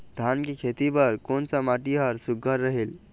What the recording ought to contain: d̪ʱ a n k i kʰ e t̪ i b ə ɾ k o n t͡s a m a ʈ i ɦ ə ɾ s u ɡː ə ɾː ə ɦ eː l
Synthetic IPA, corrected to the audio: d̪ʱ a n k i kʰ e t̪ i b ə ɾ k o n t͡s a m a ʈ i ɦ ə ɾ s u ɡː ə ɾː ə ɦ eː l